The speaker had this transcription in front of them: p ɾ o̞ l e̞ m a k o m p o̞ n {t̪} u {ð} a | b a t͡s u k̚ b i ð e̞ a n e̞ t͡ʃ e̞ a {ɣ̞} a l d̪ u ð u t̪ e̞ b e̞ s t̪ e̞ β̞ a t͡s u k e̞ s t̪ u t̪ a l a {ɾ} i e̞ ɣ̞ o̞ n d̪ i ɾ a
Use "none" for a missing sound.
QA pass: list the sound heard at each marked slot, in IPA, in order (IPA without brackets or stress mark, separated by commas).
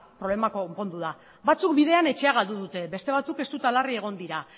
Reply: d̪, ð, ɣ̞, r